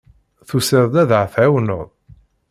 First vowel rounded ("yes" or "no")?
yes